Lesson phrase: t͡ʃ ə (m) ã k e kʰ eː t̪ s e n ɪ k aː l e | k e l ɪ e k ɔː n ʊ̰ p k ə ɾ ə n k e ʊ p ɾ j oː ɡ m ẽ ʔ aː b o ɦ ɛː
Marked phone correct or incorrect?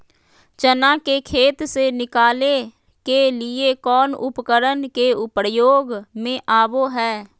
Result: incorrect